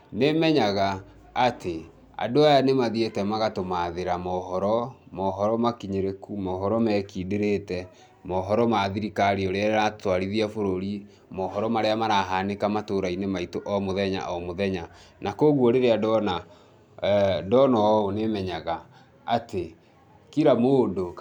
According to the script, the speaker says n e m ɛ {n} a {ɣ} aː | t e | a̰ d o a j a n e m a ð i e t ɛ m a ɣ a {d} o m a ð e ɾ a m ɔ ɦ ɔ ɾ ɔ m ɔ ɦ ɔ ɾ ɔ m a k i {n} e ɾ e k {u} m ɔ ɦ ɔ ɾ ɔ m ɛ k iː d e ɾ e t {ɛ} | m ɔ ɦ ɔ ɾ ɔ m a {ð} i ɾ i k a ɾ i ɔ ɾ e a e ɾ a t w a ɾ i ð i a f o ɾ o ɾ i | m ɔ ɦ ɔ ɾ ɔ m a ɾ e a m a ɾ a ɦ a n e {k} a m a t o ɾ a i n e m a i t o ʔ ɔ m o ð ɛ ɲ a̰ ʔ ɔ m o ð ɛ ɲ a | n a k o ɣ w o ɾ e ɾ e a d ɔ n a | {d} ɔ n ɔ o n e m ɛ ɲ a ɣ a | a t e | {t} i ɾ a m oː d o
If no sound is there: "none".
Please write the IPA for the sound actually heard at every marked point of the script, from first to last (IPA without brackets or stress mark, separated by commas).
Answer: ɲ, ɣ, t, ɲ, u, ɛ, ð, k, d, k